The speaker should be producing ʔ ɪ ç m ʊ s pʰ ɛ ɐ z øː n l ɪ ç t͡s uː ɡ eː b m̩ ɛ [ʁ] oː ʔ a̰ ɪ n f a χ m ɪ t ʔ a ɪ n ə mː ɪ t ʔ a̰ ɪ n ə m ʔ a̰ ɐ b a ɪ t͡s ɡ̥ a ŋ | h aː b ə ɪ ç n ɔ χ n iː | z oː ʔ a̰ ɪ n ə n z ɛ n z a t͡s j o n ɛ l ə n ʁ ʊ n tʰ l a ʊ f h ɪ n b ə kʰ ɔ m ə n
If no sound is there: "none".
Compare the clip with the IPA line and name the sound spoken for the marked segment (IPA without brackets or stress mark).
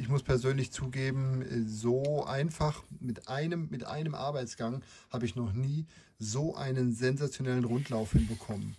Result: z